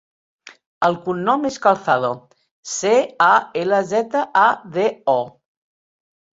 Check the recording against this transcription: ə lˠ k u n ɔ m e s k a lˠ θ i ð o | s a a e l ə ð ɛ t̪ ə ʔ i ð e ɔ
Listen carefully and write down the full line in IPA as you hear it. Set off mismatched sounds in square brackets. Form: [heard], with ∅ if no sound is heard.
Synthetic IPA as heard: ə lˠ k u [nː] ɔ m e s k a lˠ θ [a] ð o | s [e] a e l ə [z] ɛ t̪ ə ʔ [a] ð e ɔ